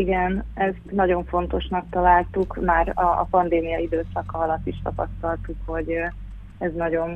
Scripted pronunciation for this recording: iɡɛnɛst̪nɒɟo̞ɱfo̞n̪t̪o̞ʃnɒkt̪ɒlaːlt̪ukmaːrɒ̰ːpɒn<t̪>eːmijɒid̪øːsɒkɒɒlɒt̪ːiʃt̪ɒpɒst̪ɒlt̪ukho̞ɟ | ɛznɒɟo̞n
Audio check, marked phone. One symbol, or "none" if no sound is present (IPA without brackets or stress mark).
d̪